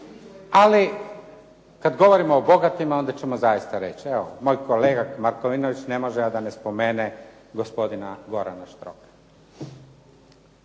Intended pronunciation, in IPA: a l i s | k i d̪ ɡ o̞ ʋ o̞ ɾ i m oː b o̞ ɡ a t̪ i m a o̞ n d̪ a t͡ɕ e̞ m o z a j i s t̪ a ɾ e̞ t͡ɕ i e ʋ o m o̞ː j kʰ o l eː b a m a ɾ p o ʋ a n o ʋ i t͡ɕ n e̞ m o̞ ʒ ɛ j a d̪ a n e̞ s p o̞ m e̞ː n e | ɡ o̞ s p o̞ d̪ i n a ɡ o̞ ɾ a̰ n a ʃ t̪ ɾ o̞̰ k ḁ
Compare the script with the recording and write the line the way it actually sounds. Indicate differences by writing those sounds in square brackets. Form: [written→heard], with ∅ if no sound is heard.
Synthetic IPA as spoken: a l i [s→∅] | k [i→a] d̪ ɡ o̞ ʋ o̞ ɾ i m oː b o̞ ɡ a t̪ i m a o̞ n d̪ a t͡ɕ e̞ m o z a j i s t̪ a ɾ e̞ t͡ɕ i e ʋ o m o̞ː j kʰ o l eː [b→ɡ] a m a ɾ [p→k] o ʋ [a→i] n o ʋ i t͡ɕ n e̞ m o̞ ʒ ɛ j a d̪ a n e̞ s p o̞ m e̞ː n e | ɡ o̞ s p o̞ d̪ i n a ɡ o̞ ɾ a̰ n a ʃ t̪ ɾ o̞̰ k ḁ